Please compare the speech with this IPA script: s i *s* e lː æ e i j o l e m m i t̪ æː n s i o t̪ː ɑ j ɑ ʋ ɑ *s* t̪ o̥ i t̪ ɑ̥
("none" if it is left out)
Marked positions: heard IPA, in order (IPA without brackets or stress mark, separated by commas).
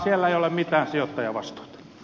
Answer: none, s